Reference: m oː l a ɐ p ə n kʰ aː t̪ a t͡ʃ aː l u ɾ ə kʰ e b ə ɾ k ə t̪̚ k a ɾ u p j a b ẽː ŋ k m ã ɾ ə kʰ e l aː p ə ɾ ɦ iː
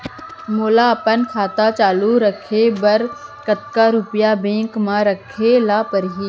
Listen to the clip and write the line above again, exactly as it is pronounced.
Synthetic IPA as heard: m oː l a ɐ p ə n kʰ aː t̪ a t͡ʃ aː l u ɾ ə kʰ e b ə ɾ k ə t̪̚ k a ɾ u p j a b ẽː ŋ k m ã ɾ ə kʰ e l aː p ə ɾ ɦ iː